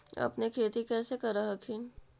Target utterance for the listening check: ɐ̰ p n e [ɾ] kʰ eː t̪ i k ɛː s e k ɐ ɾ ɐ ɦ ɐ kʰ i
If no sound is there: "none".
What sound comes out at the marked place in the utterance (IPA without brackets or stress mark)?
none